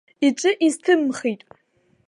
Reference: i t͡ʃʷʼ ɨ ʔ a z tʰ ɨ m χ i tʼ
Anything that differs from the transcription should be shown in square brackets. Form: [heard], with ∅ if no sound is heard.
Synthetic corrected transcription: i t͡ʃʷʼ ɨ ʔ [i] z tʰ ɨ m χ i tʼ